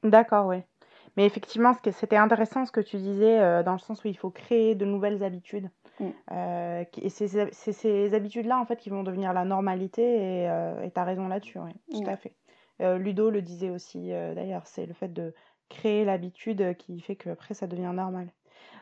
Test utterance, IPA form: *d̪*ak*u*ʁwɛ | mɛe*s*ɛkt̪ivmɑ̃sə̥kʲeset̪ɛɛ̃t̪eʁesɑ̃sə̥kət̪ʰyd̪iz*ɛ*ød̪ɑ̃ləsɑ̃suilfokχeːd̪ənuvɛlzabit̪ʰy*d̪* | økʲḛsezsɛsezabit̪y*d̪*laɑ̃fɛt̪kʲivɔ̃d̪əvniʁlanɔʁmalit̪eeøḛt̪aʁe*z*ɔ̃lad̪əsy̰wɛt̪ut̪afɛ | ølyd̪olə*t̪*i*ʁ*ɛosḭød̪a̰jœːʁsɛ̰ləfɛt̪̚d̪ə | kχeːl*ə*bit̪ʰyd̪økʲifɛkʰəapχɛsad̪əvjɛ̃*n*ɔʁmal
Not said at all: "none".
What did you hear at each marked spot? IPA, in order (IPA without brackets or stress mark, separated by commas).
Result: d̪, ɔ, f, ɛ, d̪, d̪, z, d̪, z, a, n